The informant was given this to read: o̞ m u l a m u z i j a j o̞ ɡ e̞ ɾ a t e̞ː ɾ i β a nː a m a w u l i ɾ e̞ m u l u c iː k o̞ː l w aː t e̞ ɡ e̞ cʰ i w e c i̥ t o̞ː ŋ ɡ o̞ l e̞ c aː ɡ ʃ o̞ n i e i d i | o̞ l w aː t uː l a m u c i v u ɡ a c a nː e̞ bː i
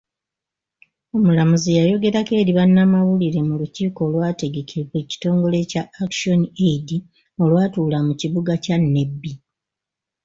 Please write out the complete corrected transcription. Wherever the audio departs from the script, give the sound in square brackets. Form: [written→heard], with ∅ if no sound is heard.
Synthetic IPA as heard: o̞ m u l a m u z i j a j o̞ ɡ e̞ ɾ a [t→k] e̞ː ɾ i β a nː a m a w u l i ɾ e̞ m u l u c iː k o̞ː l w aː t e̞ ɡ e̞ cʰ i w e c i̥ t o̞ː ŋ ɡ o̞ l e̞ c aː [ɡ→k] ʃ o̞ n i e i d i | o̞ l w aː t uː l a m u c i [v→β] u ɡ a c a nː e̞ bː i